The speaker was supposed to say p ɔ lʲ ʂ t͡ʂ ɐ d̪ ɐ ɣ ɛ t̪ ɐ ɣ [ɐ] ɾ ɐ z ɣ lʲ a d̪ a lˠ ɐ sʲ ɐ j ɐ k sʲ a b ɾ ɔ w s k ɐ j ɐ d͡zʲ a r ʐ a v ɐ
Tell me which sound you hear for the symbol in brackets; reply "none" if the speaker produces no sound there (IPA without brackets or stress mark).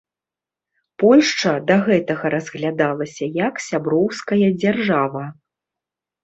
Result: ɐ